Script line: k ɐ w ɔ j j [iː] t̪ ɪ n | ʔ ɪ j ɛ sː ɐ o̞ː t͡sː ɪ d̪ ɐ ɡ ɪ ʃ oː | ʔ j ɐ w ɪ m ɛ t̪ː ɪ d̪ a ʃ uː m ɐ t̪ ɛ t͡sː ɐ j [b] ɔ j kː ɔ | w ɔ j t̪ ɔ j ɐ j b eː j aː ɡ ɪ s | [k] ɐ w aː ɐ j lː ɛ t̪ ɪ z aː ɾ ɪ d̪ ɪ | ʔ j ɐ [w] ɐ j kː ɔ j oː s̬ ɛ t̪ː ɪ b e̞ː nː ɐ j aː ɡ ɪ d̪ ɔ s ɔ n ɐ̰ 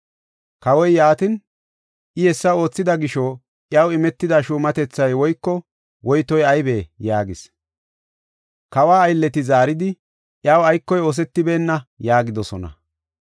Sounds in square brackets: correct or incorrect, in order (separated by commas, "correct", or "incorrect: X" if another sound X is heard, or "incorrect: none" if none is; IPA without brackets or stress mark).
incorrect: aː, incorrect: w, correct, correct